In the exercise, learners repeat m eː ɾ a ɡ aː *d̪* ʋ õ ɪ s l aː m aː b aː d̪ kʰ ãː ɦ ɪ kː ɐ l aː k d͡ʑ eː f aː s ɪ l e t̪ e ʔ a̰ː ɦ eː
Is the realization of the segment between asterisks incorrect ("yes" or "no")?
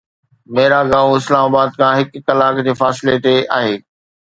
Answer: yes